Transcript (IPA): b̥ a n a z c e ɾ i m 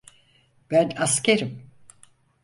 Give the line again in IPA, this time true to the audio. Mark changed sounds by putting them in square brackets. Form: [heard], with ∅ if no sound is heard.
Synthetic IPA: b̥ [æ] n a [s] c e ɾ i m